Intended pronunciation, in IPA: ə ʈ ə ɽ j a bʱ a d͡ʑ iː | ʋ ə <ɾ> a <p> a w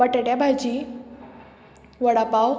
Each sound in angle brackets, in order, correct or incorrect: incorrect: ɽ, correct

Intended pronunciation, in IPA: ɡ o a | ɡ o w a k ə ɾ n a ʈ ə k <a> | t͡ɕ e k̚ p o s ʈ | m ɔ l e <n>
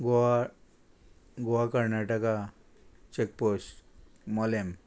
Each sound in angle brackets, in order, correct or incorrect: correct, incorrect: m

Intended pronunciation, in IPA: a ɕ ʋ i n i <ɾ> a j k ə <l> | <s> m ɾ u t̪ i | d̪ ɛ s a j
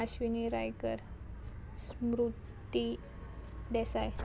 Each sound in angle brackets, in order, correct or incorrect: correct, incorrect: ɾ, correct

